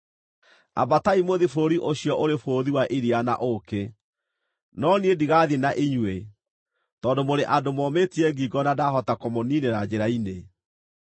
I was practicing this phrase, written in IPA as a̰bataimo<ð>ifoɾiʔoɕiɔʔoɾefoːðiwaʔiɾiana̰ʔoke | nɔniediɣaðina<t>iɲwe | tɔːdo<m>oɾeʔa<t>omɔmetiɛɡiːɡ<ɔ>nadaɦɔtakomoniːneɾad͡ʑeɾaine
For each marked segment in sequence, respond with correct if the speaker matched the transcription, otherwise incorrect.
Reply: correct, incorrect: ʔ, correct, incorrect: d, correct

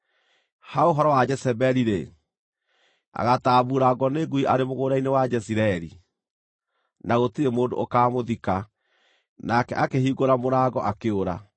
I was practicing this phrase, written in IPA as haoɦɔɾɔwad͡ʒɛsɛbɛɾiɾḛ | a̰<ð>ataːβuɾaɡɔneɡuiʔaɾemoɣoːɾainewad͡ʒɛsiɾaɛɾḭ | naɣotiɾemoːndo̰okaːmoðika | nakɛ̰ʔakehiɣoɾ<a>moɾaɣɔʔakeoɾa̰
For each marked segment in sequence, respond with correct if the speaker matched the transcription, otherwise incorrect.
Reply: incorrect: ɣ, correct

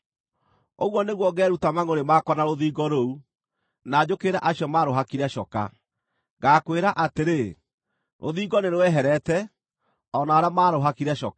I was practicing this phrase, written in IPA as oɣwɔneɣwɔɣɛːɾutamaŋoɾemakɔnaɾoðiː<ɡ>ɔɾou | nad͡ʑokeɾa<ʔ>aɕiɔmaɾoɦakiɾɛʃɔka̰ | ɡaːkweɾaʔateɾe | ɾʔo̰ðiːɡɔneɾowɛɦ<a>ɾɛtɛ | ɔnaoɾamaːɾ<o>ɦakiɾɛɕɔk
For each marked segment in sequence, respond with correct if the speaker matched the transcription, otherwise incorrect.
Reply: correct, correct, incorrect: ɛ, correct

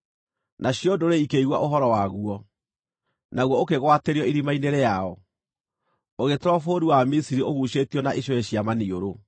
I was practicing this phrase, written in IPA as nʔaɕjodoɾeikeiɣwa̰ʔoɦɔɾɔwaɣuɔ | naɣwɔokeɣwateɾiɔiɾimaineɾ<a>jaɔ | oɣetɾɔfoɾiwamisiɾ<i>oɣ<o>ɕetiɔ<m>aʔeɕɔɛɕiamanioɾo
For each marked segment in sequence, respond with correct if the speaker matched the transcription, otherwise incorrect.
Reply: incorrect: e, correct, incorrect: u, incorrect: n

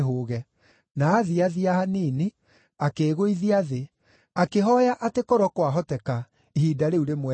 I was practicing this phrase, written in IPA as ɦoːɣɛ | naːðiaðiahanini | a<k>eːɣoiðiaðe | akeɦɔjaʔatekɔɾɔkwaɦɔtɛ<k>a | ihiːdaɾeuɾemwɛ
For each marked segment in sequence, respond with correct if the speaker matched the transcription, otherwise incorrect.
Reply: correct, correct

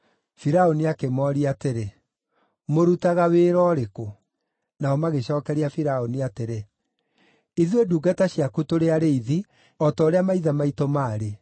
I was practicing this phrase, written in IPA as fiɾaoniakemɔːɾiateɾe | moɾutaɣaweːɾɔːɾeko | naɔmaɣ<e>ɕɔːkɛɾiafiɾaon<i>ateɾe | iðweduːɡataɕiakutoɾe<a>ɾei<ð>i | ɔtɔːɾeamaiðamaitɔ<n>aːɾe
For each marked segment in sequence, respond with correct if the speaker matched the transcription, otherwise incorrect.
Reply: correct, correct, correct, correct, incorrect: m

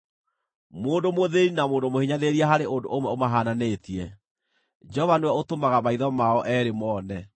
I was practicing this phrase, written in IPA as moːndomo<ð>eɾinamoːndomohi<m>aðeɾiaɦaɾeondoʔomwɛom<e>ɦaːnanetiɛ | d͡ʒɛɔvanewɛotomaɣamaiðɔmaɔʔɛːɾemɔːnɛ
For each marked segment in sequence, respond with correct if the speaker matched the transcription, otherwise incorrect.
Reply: correct, incorrect: ɲ, incorrect: a

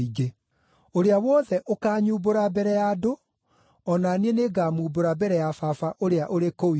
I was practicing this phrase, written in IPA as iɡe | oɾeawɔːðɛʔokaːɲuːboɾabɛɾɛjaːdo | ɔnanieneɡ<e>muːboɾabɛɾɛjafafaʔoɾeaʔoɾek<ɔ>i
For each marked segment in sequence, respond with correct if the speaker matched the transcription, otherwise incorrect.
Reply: incorrect: a, incorrect: o

